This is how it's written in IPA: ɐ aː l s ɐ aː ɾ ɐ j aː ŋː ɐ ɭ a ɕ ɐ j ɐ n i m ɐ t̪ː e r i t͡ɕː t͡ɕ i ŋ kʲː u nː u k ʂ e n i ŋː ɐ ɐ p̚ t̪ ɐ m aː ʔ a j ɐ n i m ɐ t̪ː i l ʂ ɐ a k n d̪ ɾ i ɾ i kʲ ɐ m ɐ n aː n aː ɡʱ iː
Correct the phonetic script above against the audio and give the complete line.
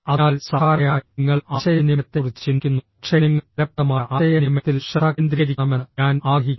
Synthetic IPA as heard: ɐ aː l s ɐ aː ɾ ɐ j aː ŋː ɐ ɭ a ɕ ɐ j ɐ n i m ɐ t̪ː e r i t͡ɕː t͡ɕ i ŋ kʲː u nː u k ʂ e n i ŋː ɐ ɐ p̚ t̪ ɐ m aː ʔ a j ɐ n i m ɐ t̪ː i l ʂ ɐ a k n d̪ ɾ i ɾ i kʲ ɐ m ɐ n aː n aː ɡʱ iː